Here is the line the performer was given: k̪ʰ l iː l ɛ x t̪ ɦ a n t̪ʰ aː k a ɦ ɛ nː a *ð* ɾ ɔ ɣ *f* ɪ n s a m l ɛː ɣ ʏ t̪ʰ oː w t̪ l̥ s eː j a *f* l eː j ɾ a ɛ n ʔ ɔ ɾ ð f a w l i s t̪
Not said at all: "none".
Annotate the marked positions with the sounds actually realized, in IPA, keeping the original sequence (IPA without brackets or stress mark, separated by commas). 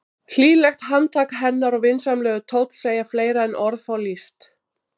none, v, f